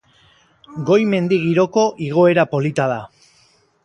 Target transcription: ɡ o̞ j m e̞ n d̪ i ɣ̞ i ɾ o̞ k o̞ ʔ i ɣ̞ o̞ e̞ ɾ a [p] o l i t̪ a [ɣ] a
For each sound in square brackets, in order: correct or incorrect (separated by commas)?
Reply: correct, incorrect